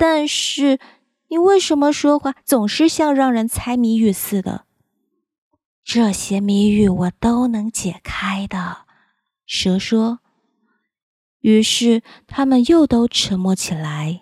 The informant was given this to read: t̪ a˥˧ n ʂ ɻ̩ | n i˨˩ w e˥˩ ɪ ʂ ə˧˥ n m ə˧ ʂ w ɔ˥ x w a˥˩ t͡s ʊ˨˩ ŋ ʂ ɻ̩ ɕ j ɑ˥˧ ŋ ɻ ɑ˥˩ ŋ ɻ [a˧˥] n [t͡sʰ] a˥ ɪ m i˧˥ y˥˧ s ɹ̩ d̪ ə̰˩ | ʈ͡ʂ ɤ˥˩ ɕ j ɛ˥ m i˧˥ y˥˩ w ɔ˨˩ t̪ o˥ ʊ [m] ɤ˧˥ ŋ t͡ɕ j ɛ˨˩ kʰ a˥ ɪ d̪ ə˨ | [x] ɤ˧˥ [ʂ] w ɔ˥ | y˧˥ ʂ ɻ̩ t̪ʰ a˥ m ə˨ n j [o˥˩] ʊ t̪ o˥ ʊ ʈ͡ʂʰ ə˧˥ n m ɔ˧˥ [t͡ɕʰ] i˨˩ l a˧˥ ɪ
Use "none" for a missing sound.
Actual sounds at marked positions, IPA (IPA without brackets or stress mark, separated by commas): ə˧˥, t͡sʰ, n, ʂ, ʂ, o˥˩, t͡ɕʰ